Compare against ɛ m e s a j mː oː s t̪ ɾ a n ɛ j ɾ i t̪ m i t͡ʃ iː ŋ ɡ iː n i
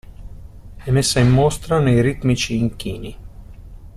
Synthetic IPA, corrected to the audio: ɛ m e s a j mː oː s t̪ ɾ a n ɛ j ɾ i t̪ m i t͡ʃ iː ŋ k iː n i